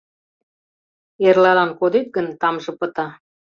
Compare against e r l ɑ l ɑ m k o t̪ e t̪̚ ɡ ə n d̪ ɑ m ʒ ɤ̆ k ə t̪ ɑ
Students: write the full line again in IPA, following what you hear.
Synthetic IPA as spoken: e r l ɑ l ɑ n k o d̪ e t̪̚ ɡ ə n t̪ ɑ m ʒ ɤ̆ p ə t̪ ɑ